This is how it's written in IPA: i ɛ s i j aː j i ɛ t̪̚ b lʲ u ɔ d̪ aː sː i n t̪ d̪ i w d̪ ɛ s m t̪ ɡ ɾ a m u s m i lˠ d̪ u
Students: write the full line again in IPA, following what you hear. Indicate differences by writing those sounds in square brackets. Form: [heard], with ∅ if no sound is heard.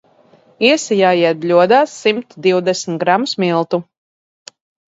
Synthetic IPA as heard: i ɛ s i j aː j i ɛ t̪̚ b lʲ u ɔ d̪ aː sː i [m] t̪ d̪ i w d̪ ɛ s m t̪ ɡ ɾ a m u s m i lˠ [t̪] u